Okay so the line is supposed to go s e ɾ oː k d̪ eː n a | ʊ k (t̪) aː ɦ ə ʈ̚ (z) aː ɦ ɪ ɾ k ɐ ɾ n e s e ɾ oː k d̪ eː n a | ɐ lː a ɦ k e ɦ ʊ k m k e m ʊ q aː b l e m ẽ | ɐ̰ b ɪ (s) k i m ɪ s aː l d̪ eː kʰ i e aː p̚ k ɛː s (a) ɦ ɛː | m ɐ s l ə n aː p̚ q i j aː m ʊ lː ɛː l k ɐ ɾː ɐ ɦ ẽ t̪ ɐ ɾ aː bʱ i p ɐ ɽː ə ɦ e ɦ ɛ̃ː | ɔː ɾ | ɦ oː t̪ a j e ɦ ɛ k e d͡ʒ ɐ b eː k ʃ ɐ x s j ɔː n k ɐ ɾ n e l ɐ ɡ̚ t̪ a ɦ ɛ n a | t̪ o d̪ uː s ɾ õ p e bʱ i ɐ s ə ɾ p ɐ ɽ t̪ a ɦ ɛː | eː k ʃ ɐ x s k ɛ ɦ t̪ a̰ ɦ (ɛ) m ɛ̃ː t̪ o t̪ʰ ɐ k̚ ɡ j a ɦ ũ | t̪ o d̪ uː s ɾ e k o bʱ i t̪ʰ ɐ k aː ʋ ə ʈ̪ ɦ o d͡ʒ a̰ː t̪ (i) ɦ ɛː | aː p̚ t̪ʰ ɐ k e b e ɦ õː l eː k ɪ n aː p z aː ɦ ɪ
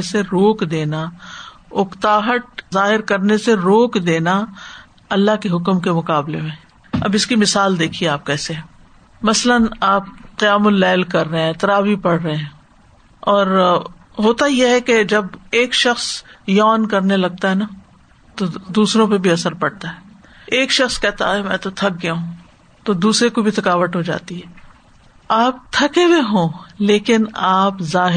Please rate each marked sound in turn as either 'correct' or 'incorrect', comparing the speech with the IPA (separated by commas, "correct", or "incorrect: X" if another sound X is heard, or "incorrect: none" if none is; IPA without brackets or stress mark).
correct, correct, correct, incorrect: e, correct, correct